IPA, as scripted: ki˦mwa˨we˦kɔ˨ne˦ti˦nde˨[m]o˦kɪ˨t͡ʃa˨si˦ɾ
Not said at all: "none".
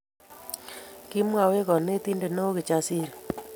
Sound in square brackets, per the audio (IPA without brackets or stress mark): n